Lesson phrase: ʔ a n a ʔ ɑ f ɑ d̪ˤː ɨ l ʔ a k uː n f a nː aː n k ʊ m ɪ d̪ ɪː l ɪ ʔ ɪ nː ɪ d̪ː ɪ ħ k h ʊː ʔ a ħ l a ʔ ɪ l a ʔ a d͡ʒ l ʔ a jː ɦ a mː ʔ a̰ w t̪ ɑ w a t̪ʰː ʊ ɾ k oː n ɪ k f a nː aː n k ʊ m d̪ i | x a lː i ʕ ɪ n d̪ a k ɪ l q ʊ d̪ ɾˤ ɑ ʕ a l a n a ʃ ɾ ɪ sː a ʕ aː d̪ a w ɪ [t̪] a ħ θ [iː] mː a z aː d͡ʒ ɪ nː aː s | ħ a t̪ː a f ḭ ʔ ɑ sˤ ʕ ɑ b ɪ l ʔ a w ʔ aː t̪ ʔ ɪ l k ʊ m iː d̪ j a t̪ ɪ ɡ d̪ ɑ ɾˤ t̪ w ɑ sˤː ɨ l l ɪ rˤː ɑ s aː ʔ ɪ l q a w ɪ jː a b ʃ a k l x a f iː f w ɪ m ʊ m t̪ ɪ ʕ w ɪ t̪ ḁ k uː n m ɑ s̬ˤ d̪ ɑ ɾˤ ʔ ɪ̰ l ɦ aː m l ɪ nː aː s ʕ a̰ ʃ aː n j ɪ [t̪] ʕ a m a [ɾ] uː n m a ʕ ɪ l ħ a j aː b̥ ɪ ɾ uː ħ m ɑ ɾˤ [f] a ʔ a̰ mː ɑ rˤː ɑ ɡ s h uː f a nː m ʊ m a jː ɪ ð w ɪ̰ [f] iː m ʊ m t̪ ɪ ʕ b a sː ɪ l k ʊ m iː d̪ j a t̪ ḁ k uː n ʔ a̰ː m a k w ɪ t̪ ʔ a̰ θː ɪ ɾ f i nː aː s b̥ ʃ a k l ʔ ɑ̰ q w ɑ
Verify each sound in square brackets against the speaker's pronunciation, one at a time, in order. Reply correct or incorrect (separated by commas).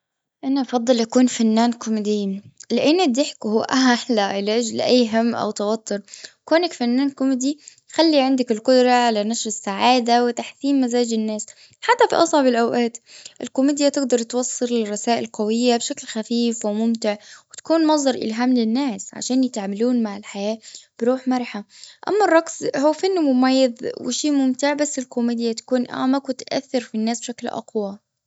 correct, correct, correct, incorrect, incorrect, incorrect